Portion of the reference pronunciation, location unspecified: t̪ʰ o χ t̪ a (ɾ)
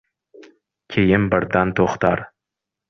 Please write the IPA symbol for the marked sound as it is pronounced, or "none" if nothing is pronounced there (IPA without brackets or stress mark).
ɾ